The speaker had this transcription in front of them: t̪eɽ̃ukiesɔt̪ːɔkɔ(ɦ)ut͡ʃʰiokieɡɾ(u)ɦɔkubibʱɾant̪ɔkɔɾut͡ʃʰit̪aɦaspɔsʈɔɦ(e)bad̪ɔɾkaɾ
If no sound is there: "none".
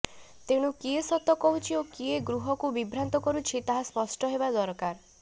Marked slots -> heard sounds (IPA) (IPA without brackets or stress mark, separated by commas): ɦ, u, e